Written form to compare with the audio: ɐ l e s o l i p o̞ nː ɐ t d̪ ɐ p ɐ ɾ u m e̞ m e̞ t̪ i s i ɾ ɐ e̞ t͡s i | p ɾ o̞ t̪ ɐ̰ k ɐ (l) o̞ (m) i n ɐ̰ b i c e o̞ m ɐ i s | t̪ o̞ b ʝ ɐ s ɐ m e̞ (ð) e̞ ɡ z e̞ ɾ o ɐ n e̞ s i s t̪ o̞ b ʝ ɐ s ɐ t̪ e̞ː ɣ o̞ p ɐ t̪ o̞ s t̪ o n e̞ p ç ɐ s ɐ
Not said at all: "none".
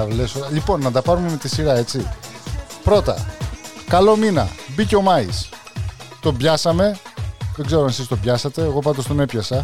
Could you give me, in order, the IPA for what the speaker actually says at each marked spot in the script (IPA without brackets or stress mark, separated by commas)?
l, m, ð